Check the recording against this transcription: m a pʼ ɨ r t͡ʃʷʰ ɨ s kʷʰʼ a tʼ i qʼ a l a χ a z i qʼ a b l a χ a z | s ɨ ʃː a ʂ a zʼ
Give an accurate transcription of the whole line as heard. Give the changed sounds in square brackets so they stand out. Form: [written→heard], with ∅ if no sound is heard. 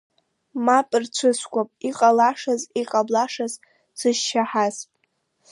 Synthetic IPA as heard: m a pʼ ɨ r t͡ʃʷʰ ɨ s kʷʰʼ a [tʼ→pʼ] i qʼ a l a [χ→ʂ] a z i qʼ a b l a [χ→ʂ] a z | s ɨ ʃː a [ʂ→ħ] a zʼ